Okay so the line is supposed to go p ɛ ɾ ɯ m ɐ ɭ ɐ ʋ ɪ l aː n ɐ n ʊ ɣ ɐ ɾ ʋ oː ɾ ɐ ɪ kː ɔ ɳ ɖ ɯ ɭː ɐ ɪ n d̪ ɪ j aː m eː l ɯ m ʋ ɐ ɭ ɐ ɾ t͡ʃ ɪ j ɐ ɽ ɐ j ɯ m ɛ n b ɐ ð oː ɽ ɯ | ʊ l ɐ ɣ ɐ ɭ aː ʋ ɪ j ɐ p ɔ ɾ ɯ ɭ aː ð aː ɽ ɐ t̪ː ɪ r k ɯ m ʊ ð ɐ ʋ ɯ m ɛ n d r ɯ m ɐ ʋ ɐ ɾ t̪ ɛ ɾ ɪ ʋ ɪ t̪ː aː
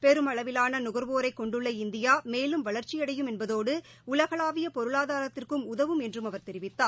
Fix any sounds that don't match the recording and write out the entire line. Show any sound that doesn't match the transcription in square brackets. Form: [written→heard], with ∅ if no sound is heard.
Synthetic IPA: p ɛ ɾ ɯ m ɐ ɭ ɐ ʋ ɪ l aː n ɐ n ʊ ɣ ɐ ɾ ʋ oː ɾ ɐ ɪ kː ɔ ɳ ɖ ɯ ɭː ɐ ɪ n d̪ ɪ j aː m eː l ɯ m ʋ ɐ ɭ ɐ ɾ t͡ʃ ɪ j ɐ ɽ ɐ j ɯ m ɛ n b ɐ ð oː ɽ ɯ | ʊ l ɐ ɣ ɐ ɭ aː ʋ ɪ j ɐ p ɔ ɾ ɯ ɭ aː ð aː [ɽ→ɾ] ɐ t̪ː ɪ r k ɯ m ʊ ð ɐ ʋ ɯ m ɛ n d r ɯ m ɐ ʋ ɐ ɾ t̪ ɛ ɾ ɪ ʋ ɪ t̪ː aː